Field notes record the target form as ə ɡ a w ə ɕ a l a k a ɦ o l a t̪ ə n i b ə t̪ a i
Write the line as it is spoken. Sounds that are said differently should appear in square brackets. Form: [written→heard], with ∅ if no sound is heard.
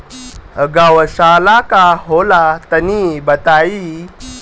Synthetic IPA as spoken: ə ɡ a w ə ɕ a l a k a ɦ o l a t̪ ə n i b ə t̪ a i